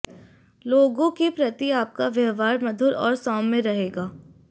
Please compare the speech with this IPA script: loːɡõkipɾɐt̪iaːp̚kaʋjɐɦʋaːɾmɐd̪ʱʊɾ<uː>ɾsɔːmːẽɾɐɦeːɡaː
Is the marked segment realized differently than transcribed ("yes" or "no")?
yes